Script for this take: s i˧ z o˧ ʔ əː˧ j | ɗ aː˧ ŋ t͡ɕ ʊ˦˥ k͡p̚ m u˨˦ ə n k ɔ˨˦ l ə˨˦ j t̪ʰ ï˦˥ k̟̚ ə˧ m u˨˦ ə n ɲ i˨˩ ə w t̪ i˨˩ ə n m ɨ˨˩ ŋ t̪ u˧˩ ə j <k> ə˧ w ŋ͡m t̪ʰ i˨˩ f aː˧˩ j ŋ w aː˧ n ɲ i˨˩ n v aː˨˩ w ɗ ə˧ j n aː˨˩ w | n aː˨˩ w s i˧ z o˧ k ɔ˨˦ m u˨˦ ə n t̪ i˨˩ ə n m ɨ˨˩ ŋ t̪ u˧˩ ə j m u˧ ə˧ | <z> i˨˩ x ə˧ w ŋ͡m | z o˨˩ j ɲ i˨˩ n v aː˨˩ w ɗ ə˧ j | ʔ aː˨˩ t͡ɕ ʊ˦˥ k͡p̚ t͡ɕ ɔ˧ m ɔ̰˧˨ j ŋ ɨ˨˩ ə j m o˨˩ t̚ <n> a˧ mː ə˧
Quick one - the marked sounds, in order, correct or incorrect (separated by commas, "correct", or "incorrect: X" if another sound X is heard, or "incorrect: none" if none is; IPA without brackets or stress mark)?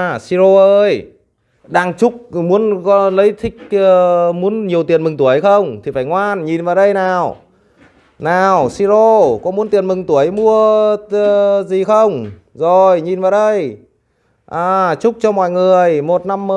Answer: incorrect: x, correct, correct